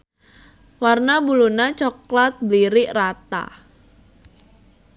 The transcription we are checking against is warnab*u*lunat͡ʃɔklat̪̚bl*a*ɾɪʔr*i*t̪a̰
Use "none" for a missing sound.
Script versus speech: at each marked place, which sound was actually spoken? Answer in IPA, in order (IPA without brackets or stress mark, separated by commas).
u, i, a